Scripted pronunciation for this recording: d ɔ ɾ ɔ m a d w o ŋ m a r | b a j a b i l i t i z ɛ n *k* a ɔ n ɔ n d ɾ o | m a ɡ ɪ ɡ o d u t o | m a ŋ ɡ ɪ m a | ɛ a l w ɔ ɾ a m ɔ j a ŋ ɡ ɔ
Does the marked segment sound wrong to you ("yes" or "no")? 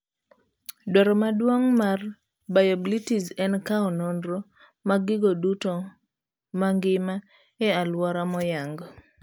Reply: no